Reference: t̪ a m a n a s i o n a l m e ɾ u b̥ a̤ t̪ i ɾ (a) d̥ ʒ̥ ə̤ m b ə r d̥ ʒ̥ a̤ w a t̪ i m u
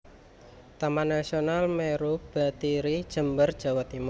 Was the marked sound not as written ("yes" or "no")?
yes